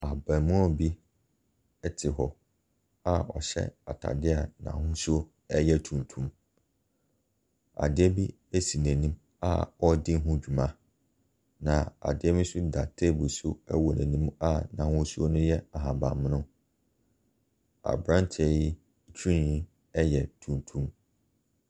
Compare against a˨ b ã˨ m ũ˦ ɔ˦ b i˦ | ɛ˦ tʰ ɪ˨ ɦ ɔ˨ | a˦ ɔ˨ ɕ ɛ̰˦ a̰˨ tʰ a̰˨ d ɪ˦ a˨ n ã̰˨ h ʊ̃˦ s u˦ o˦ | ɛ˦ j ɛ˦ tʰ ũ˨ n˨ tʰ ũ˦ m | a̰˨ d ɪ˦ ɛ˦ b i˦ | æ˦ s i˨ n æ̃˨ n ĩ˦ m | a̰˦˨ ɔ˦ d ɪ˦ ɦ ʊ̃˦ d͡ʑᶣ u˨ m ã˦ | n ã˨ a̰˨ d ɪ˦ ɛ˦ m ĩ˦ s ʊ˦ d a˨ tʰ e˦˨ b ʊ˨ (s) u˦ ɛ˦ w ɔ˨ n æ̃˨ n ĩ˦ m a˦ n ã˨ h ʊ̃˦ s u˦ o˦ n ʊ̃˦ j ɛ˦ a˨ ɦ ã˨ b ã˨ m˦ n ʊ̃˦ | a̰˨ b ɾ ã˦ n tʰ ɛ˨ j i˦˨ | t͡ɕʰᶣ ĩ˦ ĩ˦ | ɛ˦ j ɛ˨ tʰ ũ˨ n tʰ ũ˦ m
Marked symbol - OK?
yes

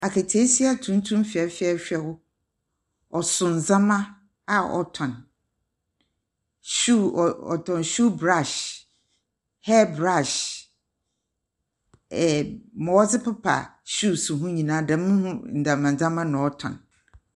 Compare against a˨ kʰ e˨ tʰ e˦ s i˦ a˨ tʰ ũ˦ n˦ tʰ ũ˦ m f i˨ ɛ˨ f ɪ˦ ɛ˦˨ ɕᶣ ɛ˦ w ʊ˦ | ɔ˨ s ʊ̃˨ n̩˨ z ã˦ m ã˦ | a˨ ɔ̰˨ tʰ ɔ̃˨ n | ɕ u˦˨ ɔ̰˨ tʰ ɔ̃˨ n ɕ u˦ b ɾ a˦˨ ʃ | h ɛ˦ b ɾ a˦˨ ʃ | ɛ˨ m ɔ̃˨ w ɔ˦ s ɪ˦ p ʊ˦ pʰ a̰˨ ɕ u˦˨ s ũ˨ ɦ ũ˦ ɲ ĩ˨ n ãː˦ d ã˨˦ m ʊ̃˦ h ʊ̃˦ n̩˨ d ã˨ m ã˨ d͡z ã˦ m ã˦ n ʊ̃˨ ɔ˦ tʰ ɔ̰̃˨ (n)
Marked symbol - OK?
yes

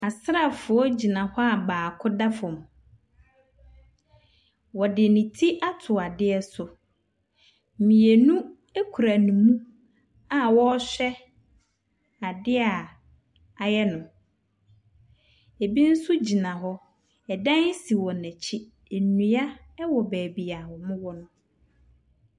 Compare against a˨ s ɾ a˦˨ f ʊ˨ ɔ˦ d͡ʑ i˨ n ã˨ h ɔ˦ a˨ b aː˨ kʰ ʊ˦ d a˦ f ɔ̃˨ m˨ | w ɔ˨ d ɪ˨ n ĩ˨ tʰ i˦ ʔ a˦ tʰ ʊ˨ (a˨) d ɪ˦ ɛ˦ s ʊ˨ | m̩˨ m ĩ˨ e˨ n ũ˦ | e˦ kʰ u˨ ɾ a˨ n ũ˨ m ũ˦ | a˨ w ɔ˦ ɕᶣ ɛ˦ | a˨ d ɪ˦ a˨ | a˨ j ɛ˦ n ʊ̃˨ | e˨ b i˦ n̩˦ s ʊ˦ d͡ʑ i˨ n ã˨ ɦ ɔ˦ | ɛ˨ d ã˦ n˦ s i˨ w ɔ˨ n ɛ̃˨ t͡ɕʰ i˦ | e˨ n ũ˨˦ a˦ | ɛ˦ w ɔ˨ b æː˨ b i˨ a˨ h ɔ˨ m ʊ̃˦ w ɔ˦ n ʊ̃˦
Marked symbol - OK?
yes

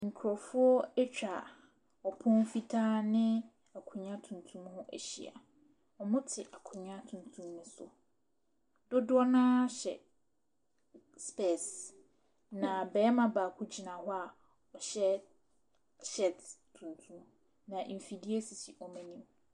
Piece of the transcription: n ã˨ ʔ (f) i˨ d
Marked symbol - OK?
yes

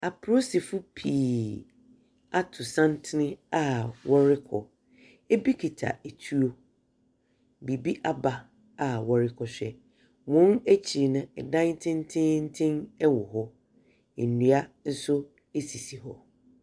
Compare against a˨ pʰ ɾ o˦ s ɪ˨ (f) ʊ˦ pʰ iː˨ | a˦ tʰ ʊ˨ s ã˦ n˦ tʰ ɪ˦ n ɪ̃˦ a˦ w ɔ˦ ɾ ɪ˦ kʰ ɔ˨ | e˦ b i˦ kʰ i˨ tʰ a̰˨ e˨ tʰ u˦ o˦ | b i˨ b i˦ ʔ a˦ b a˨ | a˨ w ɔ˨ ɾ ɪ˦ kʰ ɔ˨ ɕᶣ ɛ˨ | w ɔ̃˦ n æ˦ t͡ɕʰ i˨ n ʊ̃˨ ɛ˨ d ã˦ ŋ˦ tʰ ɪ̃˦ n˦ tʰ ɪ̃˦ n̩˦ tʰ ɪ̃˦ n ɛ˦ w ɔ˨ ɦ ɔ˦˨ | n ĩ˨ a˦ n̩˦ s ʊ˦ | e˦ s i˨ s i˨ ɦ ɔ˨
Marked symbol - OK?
yes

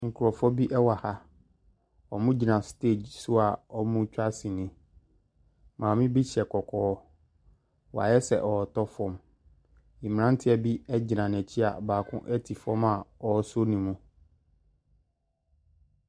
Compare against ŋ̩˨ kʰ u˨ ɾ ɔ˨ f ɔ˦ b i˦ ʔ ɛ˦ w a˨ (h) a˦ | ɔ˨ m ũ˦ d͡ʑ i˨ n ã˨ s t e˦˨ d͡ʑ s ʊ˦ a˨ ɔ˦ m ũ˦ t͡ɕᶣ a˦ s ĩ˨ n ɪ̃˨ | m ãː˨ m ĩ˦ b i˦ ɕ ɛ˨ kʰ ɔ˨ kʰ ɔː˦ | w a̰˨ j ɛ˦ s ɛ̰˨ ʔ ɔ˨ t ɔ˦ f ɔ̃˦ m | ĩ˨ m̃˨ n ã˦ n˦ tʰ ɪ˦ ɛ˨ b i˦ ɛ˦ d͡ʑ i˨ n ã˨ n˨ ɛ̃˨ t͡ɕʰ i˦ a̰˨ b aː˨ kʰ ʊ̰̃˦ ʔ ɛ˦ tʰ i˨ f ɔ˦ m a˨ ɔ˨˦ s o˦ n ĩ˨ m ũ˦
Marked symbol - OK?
yes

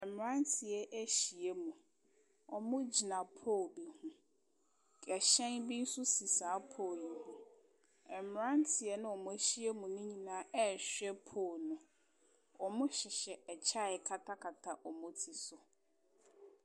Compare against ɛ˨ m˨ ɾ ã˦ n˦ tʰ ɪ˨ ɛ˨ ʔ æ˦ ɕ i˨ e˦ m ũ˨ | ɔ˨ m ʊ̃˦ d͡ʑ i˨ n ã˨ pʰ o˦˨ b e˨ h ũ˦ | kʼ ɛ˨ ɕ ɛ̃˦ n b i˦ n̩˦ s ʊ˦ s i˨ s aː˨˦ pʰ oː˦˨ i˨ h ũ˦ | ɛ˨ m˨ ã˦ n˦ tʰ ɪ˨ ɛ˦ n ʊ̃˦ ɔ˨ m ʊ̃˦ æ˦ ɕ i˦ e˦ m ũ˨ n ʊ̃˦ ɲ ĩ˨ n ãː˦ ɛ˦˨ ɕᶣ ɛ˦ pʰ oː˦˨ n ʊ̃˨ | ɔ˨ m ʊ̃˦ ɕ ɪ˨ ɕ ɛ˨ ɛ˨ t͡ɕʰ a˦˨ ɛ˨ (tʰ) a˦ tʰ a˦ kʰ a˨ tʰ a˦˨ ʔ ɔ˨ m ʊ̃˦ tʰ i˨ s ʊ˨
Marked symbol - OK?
no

